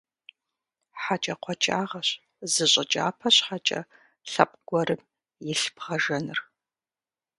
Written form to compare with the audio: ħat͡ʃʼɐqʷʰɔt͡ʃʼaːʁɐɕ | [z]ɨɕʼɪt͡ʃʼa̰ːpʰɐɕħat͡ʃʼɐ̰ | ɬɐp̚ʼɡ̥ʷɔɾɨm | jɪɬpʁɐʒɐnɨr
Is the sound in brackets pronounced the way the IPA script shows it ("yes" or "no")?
yes